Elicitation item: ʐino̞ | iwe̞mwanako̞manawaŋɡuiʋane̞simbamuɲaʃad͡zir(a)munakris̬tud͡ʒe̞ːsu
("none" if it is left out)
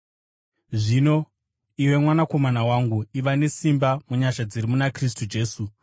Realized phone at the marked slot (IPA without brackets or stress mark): i